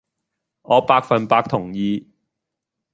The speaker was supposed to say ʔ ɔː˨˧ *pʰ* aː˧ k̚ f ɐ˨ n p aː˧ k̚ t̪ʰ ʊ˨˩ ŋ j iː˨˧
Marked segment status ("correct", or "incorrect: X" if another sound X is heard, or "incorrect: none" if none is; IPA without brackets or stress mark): incorrect: p